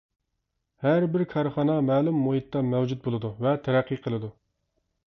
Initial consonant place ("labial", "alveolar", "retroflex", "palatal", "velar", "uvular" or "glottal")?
glottal